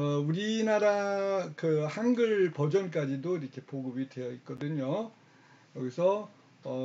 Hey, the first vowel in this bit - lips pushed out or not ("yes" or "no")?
yes